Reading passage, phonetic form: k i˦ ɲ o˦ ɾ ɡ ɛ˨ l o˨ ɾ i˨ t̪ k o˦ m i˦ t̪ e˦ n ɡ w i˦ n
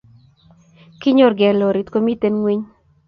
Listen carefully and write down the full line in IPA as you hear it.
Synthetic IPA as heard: k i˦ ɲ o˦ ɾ ɡ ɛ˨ l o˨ ɾ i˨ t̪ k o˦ m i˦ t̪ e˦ n ŋ w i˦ ɲ

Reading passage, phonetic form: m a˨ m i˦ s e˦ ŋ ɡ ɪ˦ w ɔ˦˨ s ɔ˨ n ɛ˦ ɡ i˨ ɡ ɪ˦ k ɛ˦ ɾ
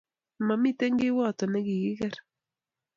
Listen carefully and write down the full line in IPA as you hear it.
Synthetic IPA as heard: m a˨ m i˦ t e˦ ŋ ɡ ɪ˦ w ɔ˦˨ t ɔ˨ n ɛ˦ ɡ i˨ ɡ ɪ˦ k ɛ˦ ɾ

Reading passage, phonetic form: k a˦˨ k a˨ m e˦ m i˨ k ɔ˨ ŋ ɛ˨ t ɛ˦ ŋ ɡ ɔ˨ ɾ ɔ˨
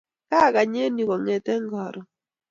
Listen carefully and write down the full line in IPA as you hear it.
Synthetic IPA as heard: k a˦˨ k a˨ ɲ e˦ n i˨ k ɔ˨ ŋ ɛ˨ t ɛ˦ ŋ ɡ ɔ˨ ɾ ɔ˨

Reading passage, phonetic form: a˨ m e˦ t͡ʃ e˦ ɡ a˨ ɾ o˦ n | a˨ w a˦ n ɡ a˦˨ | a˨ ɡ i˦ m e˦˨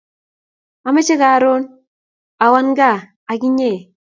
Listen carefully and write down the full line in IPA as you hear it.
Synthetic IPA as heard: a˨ m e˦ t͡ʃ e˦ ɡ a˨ ɾ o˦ n | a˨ w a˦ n ɡ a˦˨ | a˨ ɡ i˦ ɲ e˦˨

